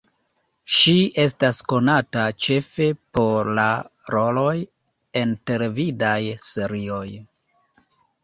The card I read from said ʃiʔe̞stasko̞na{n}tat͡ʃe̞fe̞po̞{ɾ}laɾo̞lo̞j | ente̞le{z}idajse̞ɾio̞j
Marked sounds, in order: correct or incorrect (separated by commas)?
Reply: incorrect, correct, incorrect